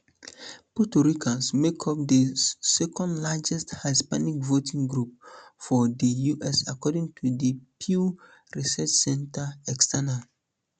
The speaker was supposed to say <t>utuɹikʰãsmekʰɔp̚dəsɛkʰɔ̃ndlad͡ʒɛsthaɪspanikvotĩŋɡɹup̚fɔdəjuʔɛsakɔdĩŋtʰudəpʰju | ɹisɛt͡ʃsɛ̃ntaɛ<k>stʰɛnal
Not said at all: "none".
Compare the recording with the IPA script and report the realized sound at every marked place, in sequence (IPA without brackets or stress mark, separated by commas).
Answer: p, k